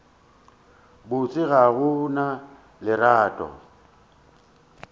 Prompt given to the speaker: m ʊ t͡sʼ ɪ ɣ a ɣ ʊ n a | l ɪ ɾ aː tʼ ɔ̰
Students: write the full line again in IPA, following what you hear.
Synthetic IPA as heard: b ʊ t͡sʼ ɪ ɣ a ɣ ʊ n a | l ɪ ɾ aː tʼ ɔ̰

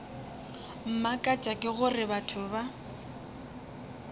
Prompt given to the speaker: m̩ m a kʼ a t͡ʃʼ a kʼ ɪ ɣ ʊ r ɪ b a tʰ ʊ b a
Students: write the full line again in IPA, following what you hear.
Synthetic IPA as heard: m̩ m a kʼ a t͡ʃʼ a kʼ ɪ ɣ ʊ r ɪ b a tʰ ʊ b a

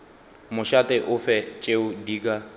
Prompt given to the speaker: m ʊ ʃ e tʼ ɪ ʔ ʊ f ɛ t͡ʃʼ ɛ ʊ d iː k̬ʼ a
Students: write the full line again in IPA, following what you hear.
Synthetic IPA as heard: m ʊ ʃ a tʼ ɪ ʔ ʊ f ɛ t͡ʃʼ e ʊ d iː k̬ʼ a

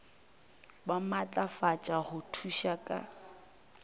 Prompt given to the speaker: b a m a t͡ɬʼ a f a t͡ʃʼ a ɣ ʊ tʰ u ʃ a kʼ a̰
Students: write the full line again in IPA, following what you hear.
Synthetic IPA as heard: b a m a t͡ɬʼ a f a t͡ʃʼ a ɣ ʊ tʰ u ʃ a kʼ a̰

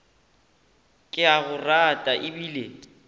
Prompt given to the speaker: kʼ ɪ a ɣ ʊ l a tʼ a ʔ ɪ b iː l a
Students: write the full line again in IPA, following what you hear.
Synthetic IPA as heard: kʼ ɪ a ɣ ʊ r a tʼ a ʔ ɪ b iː l e

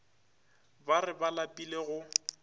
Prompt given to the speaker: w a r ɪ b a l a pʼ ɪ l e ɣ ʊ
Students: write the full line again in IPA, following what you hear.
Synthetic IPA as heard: b a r ɪ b a l a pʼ i l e ɣ ʊ

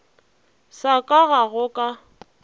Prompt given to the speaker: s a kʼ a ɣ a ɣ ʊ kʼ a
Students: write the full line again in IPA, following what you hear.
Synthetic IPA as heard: s a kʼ a ɣ a ɣ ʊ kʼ a

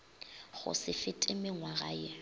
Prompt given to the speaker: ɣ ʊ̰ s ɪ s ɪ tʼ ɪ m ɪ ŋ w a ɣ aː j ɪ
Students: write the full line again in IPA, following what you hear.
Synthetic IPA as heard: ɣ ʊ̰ s ɪ f ɪ tʼ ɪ m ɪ ŋ w a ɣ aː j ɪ

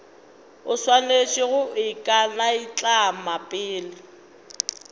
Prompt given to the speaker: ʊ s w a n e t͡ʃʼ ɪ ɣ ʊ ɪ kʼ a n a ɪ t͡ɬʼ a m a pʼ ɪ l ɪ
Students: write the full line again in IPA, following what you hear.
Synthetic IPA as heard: ʊ s w a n e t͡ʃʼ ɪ ɣ ʊ ɪ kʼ a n a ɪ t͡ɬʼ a m a pʼ ɪː l ɪ

